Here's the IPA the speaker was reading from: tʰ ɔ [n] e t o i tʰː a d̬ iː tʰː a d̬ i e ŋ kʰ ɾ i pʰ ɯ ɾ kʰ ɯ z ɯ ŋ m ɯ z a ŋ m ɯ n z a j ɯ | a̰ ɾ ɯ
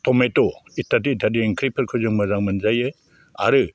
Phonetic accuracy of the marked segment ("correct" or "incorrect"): incorrect